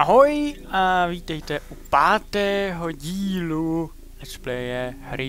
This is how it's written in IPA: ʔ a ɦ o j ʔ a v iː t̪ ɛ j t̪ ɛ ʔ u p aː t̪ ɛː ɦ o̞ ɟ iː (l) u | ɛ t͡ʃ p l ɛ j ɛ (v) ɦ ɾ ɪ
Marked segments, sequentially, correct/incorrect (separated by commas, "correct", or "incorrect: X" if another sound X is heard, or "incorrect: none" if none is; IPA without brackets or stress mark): correct, incorrect: none